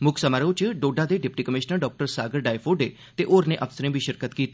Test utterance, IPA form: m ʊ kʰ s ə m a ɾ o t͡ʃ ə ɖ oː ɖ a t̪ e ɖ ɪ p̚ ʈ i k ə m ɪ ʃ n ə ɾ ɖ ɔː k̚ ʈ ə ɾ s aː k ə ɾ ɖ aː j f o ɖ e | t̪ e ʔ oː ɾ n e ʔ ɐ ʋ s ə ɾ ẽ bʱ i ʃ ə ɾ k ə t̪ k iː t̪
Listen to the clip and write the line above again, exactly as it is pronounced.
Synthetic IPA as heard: m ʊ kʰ s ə m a ɾ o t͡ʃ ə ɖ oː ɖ a d̪ e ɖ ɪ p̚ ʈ i k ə m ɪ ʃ n ə ɾ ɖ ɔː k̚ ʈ ə ɾ s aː ɡ ə ɾ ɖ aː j f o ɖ e | t̪ e ʔ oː ɾ n e ʔ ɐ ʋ s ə ɾ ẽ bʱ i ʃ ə ɾ k ə t̪ k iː t̪